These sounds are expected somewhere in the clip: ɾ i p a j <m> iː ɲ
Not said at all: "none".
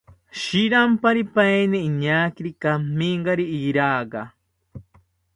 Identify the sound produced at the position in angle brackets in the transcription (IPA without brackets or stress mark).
n